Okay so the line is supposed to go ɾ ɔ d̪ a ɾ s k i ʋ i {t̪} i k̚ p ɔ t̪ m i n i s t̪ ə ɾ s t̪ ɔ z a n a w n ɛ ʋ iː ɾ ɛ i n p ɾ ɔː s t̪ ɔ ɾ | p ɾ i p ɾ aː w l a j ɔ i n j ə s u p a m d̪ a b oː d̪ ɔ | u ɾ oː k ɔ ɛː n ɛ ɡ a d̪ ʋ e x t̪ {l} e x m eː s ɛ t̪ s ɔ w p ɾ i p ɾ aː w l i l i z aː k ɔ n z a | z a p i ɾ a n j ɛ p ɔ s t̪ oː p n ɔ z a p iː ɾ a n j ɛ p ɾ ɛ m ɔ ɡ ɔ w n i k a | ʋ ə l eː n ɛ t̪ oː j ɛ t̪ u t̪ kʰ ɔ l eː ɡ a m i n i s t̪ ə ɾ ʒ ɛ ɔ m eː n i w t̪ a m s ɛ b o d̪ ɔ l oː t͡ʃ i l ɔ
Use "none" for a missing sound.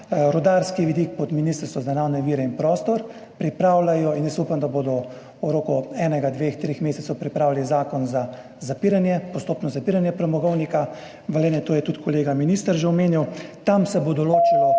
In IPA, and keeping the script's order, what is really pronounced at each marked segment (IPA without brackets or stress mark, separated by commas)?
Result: d̪, ɾ